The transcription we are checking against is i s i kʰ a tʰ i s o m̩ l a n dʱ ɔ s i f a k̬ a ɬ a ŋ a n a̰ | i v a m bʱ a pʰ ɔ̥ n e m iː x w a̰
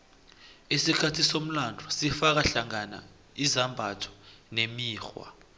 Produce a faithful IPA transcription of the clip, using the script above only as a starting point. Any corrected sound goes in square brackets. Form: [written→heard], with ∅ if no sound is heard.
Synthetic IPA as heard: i s i kʰ a tʰ i s o m̩ l a n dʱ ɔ s i f a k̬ a ɬ a ŋ a n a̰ | i [v→z] a m bʱ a [pʰ→tʰ] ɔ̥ n e m iː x w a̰